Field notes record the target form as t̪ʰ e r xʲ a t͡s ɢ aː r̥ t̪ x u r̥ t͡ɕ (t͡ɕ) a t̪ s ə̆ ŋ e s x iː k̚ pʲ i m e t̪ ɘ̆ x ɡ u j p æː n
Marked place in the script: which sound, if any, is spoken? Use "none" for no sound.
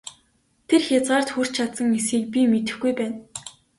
t͡ɕʰ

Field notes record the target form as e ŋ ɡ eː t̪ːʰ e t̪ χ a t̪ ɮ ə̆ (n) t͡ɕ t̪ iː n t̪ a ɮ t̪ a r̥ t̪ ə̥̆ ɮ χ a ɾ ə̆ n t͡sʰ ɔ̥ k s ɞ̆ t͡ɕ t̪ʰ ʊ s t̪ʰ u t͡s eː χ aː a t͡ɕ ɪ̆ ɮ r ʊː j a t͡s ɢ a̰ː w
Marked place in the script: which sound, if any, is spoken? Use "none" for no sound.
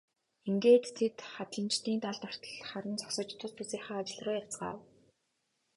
n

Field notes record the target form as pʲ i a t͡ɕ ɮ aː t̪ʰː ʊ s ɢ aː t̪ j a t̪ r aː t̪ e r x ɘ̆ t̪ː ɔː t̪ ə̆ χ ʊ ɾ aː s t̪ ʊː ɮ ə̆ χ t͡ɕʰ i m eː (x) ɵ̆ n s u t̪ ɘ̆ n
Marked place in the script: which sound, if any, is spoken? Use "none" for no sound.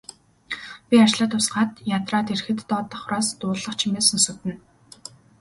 s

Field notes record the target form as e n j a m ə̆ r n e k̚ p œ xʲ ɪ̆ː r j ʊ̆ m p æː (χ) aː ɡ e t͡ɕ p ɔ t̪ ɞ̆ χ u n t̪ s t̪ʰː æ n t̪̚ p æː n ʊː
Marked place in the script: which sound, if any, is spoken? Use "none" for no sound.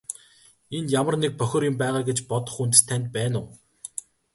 ʁ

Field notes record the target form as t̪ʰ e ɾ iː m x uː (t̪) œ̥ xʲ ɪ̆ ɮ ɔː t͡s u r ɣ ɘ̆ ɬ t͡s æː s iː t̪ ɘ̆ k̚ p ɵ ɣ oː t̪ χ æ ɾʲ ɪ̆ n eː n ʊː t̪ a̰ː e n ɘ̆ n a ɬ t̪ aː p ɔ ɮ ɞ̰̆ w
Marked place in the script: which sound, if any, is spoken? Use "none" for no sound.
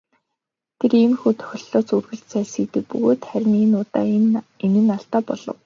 t̪ʰ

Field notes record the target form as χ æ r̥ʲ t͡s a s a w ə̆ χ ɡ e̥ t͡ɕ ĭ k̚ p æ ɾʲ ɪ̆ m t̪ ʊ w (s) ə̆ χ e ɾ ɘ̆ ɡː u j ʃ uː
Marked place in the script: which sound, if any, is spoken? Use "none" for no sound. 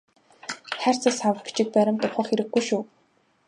χ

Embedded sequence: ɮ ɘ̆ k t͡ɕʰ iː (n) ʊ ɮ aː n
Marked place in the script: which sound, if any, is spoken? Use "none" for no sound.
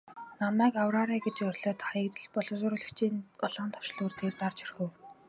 n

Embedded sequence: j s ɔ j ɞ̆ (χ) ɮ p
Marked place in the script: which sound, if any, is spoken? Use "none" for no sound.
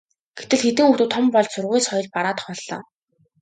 none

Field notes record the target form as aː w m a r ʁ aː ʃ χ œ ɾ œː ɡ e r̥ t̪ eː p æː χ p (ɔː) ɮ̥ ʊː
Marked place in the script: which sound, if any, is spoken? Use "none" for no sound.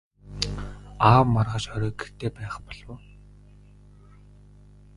ɔ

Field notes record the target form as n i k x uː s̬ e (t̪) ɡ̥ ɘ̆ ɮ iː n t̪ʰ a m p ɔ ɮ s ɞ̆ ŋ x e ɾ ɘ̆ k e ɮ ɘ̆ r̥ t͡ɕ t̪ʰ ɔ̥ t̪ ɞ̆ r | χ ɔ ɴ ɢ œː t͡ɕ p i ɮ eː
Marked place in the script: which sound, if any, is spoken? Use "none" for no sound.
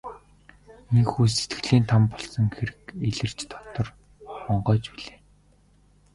t̪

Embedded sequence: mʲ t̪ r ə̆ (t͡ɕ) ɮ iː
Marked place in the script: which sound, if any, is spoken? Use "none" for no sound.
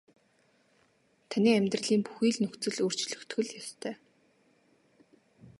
none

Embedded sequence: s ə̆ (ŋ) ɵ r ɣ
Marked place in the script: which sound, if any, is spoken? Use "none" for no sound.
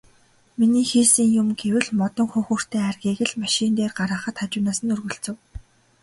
n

